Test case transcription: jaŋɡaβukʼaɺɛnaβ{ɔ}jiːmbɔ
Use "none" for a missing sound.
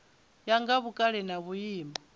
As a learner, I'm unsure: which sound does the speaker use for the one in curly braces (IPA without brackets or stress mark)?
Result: u